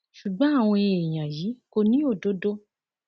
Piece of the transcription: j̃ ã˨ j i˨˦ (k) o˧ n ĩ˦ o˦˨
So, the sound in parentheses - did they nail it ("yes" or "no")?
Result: yes